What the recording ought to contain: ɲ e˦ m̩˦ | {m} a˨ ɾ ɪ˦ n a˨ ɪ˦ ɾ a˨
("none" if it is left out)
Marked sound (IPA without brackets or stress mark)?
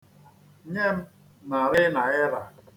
n